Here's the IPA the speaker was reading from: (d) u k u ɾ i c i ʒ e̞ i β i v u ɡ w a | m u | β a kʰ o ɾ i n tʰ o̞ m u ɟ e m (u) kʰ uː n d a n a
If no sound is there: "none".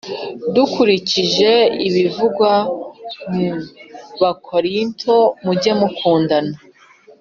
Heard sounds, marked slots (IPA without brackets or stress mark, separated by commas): d, u